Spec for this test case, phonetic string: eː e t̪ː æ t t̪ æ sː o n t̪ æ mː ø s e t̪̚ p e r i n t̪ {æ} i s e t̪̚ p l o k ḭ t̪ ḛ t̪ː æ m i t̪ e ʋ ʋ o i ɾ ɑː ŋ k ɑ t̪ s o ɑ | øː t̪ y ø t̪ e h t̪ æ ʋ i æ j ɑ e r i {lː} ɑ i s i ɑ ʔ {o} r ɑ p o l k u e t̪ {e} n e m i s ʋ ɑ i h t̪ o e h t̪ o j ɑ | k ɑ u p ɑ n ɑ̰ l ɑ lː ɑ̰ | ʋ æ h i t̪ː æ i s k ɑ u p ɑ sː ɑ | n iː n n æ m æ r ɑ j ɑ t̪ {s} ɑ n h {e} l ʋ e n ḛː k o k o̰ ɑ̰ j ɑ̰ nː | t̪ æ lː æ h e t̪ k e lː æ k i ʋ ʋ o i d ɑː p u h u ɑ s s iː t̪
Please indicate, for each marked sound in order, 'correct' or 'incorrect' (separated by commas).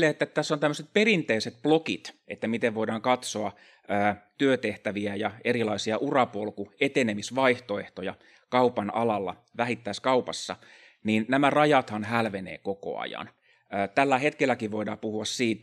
incorrect, incorrect, incorrect, correct, incorrect, incorrect